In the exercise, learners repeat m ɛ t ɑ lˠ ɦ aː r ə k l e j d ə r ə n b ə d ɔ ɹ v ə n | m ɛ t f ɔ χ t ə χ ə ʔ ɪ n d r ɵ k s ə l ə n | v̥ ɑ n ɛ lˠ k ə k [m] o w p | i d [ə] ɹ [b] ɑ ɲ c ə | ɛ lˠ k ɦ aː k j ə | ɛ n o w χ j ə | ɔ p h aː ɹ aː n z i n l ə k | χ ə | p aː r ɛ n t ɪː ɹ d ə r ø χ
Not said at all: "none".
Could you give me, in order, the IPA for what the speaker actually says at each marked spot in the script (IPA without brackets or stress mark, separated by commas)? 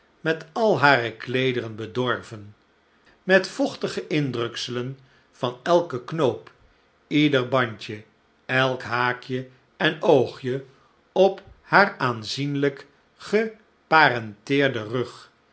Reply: n, ə, b